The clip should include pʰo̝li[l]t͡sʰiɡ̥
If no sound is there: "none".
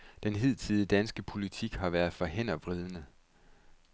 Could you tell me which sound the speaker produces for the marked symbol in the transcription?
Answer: none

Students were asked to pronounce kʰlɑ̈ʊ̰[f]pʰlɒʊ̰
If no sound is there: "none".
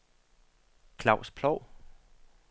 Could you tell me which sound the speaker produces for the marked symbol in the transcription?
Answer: s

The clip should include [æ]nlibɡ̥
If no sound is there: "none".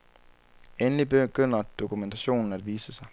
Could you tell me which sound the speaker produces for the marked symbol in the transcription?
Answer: e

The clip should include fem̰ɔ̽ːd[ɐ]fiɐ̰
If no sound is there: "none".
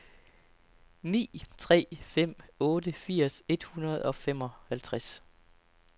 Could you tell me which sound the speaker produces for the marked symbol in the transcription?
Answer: ə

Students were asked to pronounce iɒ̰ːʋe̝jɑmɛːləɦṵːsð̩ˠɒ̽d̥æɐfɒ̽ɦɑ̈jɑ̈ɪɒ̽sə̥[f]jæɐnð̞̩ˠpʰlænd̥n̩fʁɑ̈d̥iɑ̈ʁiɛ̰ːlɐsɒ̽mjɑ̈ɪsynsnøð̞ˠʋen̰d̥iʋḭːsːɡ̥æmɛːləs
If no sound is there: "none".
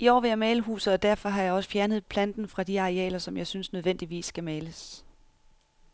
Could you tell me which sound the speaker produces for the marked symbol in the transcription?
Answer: f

